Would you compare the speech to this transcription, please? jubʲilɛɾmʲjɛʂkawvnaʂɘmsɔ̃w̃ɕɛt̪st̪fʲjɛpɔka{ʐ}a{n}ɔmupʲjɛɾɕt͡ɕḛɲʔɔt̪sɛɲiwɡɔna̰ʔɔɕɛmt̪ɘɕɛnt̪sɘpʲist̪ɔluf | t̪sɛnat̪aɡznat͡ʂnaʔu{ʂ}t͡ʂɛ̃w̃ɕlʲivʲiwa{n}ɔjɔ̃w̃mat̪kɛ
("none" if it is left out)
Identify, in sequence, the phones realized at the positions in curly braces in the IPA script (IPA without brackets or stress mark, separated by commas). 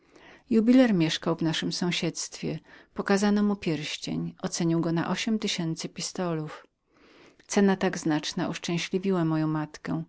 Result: z, n, ʂ, m